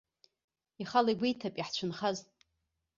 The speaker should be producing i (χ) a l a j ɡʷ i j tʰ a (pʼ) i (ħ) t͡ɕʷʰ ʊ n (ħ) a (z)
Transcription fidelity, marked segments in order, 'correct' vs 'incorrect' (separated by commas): correct, correct, correct, incorrect, correct